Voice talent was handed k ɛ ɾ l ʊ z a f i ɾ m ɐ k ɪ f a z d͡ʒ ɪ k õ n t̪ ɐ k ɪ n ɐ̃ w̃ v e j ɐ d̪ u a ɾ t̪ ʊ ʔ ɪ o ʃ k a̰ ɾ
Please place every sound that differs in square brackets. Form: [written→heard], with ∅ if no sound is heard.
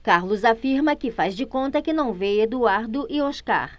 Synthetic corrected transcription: k [ɛ→a] ɾ l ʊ z a f i ɾ m ɐ k ɪ f a z d͡ʒ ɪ k õ n t̪ ɐ k ɪ n ɐ̃ w̃ v e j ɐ d̪ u a ɾ [t̪→d̪] ʊ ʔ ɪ o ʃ k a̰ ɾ